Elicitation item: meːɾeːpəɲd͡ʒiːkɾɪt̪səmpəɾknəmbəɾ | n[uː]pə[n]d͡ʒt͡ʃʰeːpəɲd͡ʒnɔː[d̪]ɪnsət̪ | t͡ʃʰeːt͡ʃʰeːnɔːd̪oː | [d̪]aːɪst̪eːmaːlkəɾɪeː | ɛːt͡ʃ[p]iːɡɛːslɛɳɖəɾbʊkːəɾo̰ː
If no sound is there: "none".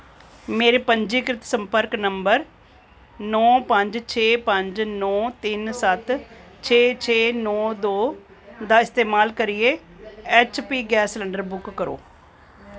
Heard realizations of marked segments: ɔː, ɲ, t̪, d̪, p

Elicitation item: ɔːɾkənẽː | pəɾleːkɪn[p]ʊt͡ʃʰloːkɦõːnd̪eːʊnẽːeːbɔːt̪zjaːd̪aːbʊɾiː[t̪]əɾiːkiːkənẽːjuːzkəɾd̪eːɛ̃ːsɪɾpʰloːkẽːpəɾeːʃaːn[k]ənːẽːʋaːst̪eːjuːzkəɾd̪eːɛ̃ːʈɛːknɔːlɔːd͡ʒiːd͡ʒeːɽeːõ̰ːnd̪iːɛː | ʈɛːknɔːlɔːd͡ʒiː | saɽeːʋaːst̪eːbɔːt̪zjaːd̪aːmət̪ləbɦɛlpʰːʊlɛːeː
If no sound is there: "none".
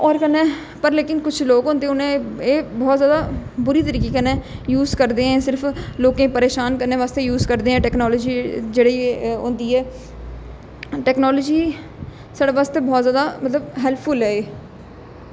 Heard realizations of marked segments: k, t̪, k

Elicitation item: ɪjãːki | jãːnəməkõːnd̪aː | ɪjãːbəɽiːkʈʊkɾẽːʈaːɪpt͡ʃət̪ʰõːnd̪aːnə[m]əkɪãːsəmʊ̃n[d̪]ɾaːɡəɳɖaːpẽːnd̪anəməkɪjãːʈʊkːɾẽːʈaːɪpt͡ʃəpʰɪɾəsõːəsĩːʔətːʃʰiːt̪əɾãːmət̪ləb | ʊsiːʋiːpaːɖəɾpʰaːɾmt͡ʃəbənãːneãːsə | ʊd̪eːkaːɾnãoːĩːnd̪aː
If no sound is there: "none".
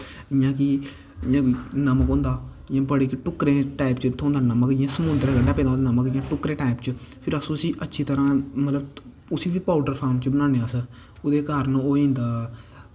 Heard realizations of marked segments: m, d̪

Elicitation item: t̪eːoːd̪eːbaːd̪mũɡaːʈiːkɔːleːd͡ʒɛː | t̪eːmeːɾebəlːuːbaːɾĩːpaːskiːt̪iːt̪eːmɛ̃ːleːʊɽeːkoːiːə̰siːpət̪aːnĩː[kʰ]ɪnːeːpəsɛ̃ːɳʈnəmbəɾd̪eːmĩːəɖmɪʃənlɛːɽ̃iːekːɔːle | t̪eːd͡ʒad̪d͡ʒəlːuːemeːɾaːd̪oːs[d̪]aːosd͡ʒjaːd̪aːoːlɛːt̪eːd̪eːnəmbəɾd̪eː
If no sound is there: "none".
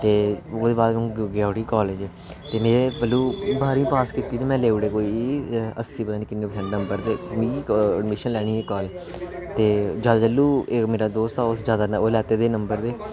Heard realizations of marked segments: k, t̪

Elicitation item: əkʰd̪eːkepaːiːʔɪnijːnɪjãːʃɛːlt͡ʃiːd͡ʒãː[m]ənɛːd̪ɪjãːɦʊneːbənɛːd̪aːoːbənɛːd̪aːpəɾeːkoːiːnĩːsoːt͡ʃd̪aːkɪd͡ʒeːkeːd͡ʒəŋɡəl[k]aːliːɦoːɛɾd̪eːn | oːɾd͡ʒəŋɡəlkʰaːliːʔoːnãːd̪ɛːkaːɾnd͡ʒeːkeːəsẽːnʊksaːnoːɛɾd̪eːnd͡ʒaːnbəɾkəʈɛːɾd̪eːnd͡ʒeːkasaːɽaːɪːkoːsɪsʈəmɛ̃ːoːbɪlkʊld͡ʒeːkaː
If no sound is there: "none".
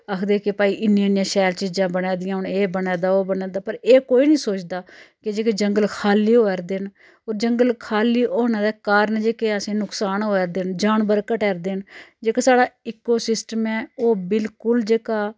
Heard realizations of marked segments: b, kʰ

